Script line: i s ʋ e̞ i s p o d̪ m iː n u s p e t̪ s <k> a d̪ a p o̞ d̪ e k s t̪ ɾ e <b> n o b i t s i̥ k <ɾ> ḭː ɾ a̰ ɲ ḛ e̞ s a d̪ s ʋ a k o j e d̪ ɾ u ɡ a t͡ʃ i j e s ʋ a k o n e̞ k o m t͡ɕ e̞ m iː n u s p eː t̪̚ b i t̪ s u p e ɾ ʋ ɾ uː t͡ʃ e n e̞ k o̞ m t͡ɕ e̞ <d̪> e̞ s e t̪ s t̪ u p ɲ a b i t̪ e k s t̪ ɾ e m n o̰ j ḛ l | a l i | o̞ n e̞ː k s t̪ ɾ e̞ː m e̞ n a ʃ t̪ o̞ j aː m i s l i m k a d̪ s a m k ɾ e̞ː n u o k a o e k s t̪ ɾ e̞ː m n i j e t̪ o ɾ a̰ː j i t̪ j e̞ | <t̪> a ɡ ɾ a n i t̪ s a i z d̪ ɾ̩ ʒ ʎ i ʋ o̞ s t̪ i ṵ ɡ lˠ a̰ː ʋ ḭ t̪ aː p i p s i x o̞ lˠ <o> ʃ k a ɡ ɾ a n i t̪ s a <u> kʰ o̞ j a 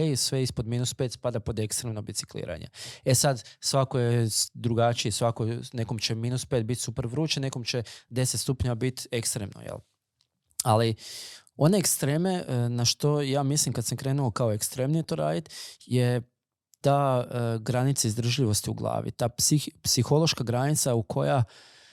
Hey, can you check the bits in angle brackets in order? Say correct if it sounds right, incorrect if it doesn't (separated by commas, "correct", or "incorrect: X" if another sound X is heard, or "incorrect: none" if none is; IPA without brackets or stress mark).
incorrect: p, incorrect: m, incorrect: l, correct, correct, correct, correct